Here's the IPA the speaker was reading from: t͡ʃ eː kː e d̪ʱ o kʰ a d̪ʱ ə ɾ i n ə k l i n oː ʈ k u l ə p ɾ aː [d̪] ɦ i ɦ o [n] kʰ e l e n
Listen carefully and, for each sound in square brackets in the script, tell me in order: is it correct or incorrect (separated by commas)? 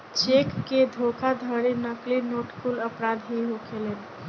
correct, incorrect